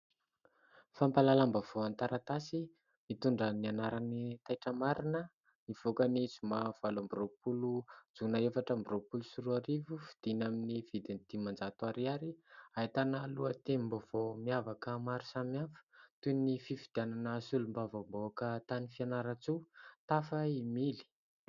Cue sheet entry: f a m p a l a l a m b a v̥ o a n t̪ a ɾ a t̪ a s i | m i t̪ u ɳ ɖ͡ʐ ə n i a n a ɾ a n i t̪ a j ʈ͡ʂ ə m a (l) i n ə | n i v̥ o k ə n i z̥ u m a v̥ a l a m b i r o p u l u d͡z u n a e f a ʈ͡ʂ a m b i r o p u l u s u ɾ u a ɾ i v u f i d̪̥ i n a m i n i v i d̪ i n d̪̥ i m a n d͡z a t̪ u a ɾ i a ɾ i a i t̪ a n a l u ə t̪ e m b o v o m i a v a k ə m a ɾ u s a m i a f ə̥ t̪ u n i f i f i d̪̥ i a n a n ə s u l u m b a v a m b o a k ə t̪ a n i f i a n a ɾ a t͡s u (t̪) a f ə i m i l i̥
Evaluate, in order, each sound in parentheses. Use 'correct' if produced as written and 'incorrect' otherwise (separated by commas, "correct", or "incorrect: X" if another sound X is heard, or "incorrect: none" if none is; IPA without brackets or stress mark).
incorrect: ɾ, correct